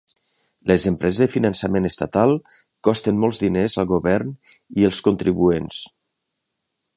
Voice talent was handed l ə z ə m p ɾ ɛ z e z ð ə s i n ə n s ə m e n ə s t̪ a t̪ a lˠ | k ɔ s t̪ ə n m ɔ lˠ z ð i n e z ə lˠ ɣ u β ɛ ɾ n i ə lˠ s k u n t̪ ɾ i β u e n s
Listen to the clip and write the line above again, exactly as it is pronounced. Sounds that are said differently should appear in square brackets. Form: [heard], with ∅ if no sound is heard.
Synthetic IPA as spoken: l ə z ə m p ɾ ɛ z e z ð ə [f] i n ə n s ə m e n ə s t̪ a t̪ a lˠ | k ɔ s t̪ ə n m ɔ lˠ z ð i n e z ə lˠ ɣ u β ɛ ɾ n i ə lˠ s k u n t̪ ɾ i β u e n s